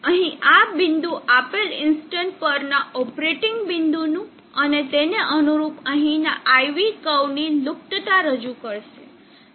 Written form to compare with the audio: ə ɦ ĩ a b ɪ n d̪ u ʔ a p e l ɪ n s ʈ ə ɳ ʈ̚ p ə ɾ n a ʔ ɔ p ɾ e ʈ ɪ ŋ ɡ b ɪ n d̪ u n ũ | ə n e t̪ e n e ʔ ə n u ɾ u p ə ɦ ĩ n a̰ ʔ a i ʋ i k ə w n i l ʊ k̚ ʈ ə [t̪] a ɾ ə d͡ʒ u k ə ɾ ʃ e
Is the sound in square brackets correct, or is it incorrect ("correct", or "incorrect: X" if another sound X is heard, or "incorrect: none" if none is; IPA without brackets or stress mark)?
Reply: correct